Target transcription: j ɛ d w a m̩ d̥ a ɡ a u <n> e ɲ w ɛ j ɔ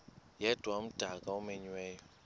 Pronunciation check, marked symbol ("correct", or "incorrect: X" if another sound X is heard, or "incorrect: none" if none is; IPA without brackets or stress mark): incorrect: m